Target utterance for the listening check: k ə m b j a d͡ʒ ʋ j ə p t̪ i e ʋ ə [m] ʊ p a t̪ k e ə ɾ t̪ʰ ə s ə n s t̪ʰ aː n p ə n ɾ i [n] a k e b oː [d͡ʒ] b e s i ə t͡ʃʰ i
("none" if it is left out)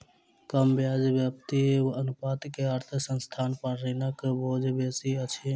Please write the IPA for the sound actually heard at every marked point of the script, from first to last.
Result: n, n, d͡ʒ

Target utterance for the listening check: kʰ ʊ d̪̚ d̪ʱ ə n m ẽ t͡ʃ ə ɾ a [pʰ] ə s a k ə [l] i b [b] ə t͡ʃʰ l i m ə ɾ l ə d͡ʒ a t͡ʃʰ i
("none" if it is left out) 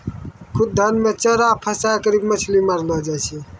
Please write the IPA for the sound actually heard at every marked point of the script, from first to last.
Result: pʰ, ɾ, m

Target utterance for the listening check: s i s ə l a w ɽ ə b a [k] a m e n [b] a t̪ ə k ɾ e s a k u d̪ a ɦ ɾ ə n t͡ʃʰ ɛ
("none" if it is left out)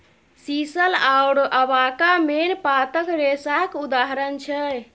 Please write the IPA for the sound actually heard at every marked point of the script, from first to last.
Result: k, p

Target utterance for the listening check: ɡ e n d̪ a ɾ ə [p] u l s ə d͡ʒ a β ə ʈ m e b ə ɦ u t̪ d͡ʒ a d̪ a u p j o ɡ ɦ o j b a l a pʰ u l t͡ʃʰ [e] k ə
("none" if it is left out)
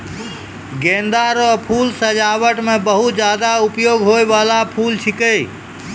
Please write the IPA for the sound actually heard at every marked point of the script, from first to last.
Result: pʰ, i

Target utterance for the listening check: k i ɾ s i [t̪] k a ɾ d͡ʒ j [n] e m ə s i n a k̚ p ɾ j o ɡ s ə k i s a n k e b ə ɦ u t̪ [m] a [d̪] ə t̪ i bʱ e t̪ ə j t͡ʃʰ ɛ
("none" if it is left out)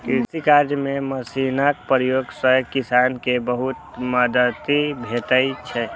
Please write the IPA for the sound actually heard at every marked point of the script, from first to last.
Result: none, m, m, d̪

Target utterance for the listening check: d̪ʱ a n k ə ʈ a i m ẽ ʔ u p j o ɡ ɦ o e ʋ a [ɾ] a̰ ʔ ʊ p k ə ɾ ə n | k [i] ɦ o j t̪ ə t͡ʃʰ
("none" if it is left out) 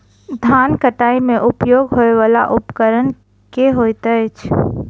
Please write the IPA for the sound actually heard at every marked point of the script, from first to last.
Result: l, e

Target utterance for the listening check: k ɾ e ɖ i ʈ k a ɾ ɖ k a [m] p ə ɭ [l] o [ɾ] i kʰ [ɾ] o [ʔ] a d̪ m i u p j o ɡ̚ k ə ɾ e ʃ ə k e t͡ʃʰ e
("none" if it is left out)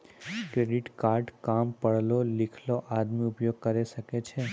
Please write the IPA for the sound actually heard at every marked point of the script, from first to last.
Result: m, l, l, l, ʔ

